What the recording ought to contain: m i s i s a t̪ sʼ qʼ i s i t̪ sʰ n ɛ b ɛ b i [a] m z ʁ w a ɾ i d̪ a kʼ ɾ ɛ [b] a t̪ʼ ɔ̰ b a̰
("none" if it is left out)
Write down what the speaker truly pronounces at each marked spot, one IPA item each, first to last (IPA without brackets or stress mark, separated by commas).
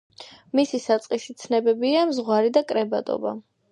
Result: a, b